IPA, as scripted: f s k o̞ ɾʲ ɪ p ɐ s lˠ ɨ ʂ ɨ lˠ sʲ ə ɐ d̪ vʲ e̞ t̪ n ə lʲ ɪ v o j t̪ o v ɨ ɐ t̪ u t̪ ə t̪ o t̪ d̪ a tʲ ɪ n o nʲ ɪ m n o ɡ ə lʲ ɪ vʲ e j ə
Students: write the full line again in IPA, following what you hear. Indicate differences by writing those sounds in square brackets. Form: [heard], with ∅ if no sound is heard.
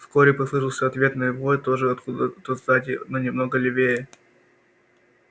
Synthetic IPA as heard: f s k o̞ ɾʲ ɪ p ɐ s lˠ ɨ ʂ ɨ lˠ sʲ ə ɐ [t̪] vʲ e̞ t̪ n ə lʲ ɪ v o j t̪ o [ʐ] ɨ ɐ t̪ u [d̪] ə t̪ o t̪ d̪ a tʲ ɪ n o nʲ ɪ m n o ɡ ə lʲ ɪ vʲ e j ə